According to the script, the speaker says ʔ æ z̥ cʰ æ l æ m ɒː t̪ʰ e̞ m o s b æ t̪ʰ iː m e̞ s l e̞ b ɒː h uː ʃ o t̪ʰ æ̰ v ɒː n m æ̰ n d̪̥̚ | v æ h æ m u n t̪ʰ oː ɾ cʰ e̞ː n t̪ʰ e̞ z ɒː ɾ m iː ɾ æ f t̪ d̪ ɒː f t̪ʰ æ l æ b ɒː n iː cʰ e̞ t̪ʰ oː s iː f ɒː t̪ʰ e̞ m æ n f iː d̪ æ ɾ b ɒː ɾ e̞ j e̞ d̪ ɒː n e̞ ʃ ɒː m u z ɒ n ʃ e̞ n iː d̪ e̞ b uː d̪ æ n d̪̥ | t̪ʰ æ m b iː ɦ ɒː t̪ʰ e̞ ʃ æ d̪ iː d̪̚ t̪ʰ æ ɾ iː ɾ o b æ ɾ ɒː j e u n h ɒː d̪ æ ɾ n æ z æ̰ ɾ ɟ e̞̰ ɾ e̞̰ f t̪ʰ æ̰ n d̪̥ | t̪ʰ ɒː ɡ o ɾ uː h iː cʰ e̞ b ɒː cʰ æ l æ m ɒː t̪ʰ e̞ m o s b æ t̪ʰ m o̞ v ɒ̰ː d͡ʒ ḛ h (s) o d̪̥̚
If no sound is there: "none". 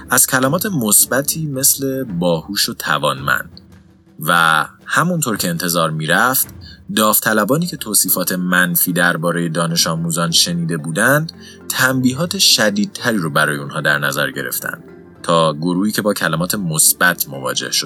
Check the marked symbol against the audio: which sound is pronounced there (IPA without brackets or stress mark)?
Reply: ʃ